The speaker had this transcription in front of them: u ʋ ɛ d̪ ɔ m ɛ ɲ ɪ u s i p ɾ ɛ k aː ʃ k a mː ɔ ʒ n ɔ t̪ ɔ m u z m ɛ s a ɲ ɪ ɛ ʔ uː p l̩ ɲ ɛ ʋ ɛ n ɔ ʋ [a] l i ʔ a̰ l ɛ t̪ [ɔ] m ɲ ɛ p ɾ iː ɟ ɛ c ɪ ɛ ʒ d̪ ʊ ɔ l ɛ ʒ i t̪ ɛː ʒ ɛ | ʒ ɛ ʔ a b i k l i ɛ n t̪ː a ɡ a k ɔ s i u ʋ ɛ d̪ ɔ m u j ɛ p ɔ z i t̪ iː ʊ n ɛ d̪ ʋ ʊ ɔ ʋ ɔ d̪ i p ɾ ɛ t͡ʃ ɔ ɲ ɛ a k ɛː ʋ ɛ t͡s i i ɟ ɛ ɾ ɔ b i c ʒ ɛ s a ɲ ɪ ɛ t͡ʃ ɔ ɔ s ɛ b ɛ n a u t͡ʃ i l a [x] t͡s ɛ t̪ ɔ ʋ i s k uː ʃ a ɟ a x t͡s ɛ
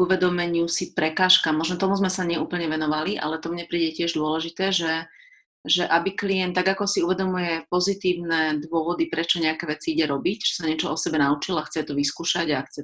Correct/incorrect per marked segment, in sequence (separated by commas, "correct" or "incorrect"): correct, correct, correct